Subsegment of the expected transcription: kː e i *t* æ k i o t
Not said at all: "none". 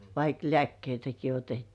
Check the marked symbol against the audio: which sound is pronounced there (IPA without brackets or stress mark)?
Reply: t